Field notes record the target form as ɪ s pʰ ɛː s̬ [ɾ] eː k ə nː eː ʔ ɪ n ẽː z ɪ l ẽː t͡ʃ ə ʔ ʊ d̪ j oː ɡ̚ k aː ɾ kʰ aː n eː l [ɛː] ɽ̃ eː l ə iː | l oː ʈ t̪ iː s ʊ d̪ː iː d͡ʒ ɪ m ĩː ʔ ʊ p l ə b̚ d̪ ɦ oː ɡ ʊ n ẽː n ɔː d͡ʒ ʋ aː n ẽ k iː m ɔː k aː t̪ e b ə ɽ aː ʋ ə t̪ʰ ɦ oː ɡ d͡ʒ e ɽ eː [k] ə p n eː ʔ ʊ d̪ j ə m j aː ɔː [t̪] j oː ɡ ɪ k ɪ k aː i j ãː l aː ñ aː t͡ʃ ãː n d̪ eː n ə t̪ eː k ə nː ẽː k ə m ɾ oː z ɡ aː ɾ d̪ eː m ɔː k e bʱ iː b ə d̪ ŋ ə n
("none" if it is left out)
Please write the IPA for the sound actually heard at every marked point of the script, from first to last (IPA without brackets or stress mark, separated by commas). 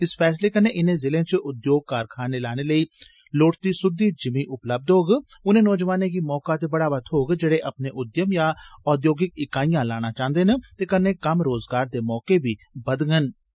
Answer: l, aː, ʔ, d̪